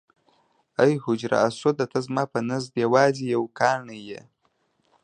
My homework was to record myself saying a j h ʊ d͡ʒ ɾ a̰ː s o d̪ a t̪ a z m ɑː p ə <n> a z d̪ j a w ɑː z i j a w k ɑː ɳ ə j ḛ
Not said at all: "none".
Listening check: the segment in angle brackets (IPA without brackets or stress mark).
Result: n